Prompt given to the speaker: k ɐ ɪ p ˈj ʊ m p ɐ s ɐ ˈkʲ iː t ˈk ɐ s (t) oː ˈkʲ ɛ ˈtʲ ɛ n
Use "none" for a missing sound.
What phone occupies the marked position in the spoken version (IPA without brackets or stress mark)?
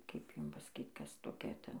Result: t